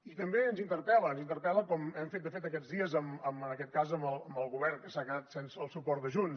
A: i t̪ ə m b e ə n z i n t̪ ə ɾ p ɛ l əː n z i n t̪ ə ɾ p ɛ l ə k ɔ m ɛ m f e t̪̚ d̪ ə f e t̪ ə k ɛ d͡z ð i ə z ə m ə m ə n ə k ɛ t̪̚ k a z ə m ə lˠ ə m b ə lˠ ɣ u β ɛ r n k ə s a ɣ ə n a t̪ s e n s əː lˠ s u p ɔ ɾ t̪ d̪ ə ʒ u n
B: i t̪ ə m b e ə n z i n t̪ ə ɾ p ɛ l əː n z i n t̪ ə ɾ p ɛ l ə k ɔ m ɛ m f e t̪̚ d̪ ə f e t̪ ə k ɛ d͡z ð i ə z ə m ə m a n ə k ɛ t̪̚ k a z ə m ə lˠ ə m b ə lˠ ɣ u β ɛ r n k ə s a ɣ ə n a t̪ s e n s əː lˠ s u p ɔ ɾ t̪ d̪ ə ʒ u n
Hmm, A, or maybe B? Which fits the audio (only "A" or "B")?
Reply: A